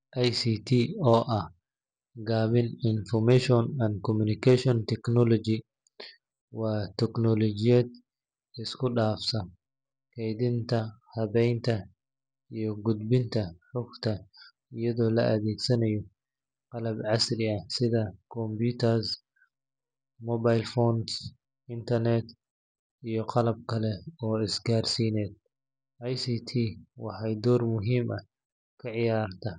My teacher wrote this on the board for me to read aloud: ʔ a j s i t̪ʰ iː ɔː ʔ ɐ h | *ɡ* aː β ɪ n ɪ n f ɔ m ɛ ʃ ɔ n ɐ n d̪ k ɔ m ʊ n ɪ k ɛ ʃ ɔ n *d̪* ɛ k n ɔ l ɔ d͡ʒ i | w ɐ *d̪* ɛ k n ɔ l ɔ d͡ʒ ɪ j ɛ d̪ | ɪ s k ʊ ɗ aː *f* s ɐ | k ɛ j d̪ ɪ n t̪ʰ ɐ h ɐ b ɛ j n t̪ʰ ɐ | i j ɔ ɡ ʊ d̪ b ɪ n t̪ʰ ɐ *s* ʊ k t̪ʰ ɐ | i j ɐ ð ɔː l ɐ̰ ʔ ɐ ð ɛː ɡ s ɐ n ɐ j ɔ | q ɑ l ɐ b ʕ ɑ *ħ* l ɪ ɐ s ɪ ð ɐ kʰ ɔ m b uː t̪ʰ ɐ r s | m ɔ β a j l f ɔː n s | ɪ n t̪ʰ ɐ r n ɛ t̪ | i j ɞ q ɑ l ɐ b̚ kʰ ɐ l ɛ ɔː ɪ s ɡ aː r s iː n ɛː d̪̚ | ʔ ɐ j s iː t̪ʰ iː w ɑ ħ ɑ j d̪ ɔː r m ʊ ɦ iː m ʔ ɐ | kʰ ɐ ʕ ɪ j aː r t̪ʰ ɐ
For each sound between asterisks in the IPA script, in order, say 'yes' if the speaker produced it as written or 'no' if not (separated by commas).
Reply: yes, no, no, yes, no, no